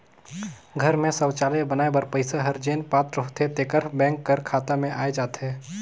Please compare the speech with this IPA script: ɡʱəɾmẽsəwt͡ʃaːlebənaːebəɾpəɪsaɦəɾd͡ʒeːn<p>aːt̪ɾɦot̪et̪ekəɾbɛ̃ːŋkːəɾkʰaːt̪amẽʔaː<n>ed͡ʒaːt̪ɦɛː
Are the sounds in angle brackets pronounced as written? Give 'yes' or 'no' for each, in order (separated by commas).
yes, no